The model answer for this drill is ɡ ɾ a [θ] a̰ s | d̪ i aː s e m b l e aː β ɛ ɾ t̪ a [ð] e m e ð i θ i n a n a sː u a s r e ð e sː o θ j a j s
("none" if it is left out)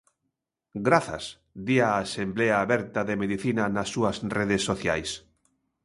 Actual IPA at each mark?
θ, ð

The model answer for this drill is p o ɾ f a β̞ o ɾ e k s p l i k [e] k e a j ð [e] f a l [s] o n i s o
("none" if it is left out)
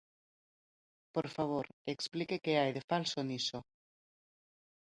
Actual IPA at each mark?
e, e, s

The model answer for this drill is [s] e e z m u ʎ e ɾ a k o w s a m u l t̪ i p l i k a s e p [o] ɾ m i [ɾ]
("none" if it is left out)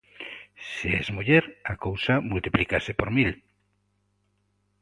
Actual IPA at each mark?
s, o, l

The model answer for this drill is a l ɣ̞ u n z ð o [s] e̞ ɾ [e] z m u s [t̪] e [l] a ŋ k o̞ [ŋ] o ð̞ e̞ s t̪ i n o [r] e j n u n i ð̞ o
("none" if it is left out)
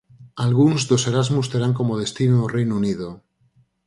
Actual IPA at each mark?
s, a, t̪, ɾ, m, r

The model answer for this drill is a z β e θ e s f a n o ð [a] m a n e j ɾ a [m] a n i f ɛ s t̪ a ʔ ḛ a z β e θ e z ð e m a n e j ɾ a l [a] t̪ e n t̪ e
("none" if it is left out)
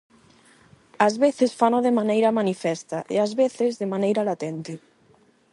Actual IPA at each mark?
e, m, a

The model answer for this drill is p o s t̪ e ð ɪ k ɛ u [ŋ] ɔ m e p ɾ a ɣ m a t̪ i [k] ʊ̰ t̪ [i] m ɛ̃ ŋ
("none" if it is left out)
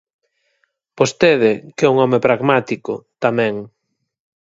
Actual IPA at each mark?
ŋ, k, a

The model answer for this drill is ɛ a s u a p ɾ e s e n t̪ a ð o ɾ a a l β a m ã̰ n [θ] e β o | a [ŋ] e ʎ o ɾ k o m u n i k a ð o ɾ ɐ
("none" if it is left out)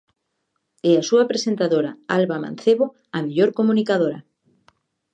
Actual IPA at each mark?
θ, m

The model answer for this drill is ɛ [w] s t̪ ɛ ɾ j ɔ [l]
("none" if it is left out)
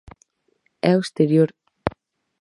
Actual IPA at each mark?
w, ɾ

